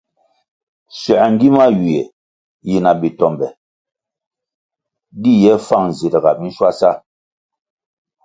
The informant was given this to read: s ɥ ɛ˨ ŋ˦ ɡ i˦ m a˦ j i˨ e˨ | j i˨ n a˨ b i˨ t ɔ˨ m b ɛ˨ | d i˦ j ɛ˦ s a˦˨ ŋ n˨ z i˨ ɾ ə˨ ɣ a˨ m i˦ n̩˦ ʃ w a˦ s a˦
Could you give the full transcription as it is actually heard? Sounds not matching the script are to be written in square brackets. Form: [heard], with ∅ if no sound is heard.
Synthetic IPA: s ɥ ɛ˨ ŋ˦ ɡ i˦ m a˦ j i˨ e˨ | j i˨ n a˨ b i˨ t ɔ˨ m b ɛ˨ | d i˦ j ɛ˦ [f] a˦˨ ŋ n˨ z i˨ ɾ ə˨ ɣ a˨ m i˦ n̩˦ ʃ w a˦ s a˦